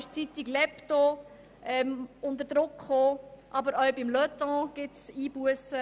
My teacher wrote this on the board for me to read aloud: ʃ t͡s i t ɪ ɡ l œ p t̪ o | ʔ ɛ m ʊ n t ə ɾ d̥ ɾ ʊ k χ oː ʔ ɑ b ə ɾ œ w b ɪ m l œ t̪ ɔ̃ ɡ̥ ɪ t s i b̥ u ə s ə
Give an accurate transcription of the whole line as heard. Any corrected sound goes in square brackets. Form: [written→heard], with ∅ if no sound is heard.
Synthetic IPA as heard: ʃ t͡s i t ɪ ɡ l [œ→ɛ] p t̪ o | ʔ ɛ m ʊ n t ə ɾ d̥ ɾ ʊ k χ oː ʔ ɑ b ə ɾ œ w b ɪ m l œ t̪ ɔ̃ ɡ̥ ɪ t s [i→iː] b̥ u ə s ə